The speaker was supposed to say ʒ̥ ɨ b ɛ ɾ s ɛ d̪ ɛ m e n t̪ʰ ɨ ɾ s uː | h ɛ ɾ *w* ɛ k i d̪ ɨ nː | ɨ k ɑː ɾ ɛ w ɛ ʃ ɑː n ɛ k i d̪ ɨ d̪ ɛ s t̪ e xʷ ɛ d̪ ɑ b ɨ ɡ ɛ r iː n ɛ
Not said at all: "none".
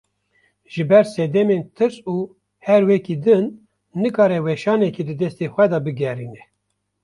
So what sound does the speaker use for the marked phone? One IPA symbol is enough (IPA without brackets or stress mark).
w